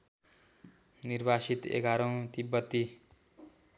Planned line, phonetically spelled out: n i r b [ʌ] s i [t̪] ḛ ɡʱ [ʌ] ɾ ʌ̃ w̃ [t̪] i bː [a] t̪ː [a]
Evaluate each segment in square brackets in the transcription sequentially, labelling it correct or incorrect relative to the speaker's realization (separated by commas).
incorrect, correct, incorrect, correct, incorrect, incorrect